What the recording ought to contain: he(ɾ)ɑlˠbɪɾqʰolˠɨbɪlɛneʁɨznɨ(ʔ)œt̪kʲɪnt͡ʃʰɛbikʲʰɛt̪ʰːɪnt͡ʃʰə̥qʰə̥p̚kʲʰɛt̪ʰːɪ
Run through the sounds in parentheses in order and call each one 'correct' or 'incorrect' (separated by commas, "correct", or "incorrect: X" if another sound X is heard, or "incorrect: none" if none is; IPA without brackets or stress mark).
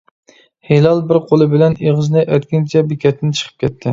incorrect: l, correct